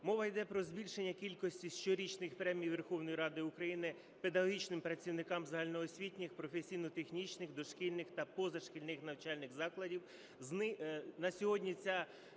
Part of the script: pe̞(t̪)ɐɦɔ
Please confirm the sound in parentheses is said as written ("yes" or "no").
no